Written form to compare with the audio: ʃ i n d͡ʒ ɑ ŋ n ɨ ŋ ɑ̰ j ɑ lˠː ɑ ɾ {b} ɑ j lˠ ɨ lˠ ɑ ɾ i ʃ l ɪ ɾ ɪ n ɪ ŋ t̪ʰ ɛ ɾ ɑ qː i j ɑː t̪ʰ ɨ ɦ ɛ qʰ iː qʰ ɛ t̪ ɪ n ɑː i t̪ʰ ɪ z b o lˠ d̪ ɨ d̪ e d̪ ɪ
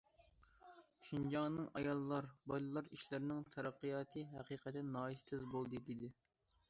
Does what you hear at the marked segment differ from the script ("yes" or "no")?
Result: no